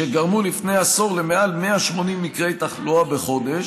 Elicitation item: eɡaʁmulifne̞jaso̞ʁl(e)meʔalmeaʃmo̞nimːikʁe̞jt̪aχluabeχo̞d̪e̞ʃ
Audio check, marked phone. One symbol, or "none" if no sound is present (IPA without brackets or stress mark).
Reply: e